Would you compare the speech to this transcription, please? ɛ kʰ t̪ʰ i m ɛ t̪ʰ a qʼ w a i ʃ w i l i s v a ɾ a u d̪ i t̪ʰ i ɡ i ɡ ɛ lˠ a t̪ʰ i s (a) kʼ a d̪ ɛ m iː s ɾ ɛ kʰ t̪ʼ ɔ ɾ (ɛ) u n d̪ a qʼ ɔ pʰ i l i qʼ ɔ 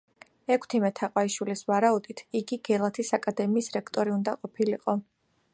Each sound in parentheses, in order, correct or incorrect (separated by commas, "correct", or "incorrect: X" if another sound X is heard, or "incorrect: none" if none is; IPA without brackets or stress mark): correct, incorrect: i